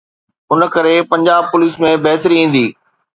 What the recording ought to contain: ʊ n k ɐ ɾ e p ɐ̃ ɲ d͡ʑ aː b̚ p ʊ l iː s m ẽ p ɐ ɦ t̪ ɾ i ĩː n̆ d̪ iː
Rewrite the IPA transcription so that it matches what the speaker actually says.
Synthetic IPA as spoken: ʊ n k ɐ ɾ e p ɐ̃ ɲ d͡ʑ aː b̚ p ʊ l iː s m ẽ b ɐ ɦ t̪ ɾ i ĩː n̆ d̪ iː